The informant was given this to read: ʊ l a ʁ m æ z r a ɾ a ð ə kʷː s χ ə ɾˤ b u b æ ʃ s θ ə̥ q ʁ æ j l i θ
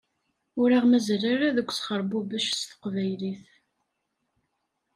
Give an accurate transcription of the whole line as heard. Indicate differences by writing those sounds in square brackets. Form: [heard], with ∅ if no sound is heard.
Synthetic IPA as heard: ʊ [ɾ] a ʁ m æ z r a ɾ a ð ə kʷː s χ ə ɾˤ b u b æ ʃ s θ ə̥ q [v] æ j l i θ